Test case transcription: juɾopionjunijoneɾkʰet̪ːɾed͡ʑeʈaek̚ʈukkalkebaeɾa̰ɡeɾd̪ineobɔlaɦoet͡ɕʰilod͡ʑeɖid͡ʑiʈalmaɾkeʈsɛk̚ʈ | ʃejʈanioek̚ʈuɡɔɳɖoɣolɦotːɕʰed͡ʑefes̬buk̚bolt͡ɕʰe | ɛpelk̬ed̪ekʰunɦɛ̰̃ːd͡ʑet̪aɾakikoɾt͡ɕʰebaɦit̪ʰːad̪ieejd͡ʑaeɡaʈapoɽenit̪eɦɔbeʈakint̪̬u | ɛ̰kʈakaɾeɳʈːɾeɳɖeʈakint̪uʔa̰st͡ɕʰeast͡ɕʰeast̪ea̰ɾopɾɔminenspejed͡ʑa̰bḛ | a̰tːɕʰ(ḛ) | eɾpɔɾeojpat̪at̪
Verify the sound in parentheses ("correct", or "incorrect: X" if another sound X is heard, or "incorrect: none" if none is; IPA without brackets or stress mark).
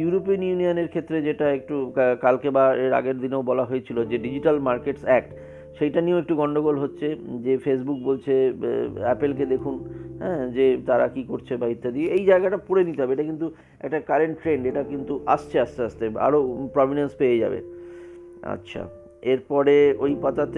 incorrect: a̰